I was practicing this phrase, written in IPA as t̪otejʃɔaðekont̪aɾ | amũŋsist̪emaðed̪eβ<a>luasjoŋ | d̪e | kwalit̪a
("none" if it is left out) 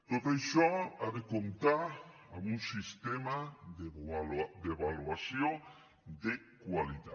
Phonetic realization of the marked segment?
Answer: a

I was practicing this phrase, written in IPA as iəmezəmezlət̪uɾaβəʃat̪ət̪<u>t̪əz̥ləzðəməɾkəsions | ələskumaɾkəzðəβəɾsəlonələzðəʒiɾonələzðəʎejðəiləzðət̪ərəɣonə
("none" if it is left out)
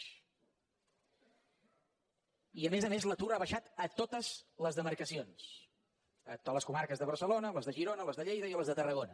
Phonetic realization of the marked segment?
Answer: o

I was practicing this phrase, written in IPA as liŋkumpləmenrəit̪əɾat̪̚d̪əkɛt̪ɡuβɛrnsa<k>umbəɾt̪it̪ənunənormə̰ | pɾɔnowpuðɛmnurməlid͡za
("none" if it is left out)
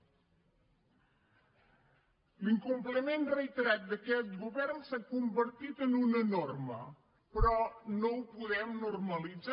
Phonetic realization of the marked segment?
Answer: k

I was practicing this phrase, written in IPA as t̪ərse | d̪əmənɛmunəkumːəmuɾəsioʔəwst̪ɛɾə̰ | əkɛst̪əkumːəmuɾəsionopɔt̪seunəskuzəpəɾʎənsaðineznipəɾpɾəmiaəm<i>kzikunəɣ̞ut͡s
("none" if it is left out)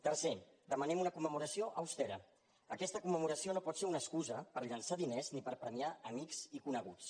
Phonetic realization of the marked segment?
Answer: i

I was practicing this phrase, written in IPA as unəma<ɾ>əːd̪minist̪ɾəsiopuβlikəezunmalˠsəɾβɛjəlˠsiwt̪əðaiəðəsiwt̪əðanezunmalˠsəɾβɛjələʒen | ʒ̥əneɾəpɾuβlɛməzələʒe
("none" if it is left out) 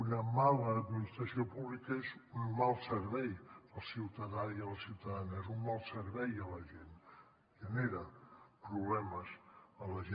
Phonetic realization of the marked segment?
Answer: l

